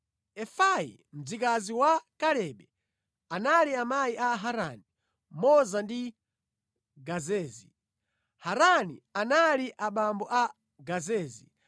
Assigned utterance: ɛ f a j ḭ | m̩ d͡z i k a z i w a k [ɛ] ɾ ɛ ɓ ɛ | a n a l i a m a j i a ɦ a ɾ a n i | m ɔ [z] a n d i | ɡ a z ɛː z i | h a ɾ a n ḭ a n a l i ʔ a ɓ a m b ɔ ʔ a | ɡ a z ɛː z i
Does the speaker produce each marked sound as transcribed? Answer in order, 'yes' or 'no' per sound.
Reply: no, yes

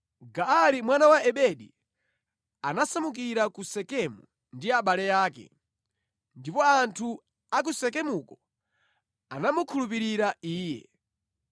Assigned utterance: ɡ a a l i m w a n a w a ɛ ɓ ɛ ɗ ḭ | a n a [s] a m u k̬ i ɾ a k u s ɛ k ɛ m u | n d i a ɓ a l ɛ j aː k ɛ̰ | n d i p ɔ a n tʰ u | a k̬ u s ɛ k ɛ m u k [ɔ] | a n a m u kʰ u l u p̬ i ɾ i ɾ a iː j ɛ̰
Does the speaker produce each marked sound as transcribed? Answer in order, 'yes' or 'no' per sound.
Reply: yes, yes

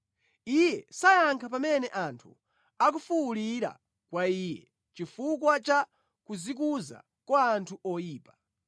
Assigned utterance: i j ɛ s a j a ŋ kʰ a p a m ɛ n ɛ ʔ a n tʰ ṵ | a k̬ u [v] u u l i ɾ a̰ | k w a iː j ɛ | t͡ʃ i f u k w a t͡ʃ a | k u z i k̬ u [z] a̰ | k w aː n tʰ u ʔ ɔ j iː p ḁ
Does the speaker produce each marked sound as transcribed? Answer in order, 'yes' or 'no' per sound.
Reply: no, yes

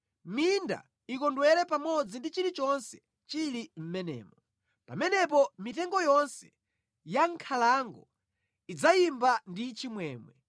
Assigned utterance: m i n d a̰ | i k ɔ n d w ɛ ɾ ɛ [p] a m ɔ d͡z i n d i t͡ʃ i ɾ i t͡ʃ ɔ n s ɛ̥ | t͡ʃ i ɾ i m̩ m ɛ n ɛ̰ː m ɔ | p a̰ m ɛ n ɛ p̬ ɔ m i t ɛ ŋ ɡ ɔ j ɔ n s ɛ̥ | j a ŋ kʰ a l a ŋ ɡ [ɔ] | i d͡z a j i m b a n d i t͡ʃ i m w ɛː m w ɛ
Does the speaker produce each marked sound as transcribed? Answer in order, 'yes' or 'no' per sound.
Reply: yes, yes

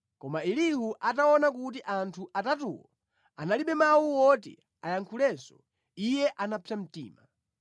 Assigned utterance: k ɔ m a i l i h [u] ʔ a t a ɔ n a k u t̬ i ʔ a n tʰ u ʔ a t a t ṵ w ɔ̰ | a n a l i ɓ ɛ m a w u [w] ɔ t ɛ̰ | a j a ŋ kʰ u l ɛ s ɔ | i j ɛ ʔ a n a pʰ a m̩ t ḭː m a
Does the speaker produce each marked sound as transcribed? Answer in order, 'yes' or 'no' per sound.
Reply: yes, yes

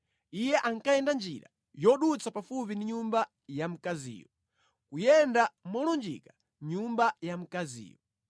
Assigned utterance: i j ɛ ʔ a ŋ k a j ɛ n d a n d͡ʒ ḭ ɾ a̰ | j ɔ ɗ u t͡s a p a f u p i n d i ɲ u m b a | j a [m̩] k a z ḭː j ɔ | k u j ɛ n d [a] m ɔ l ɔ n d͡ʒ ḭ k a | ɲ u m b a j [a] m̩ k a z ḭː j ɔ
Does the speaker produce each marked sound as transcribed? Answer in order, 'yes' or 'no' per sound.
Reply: yes, yes, yes

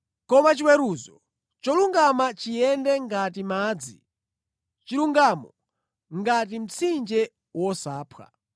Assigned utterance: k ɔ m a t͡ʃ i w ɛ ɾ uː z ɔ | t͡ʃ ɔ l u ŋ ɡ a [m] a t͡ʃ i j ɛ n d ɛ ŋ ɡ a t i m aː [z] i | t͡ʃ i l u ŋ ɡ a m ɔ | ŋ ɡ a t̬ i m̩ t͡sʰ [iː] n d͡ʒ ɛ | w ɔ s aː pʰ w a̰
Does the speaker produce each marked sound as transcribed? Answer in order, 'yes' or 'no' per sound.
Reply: yes, no, no

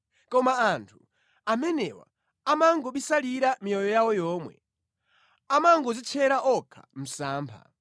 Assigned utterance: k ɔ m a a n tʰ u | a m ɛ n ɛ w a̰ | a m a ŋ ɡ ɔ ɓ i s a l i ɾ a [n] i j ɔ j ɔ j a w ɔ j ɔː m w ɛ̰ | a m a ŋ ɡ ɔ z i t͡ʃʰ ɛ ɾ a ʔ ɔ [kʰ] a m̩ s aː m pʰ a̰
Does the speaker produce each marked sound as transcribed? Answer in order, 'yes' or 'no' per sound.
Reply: no, yes

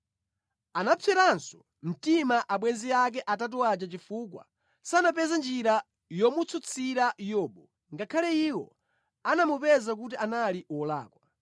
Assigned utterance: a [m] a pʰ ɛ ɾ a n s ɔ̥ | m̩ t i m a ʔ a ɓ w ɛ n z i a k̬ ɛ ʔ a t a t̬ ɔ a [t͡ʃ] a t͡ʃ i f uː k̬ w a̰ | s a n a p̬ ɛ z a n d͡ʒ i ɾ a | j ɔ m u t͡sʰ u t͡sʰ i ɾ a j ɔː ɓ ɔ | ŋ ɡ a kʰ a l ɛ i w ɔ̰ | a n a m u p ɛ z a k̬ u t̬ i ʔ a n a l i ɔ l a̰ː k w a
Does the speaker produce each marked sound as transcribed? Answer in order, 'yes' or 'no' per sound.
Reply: no, yes

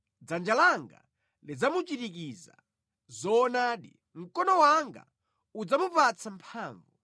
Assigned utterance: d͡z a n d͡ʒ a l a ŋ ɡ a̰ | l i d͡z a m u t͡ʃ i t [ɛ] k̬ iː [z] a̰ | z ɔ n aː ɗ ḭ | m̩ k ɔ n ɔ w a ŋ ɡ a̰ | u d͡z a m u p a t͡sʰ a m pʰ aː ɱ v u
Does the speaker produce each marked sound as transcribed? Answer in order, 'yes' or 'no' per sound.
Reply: no, yes

